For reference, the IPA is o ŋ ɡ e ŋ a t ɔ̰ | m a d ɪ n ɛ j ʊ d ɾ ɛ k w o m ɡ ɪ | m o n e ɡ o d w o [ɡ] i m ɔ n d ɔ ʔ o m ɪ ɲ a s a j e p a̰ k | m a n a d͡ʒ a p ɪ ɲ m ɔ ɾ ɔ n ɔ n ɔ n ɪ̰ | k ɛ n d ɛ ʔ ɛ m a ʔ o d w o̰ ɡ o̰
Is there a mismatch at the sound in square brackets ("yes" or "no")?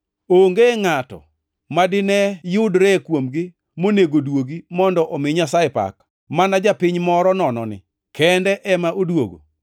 no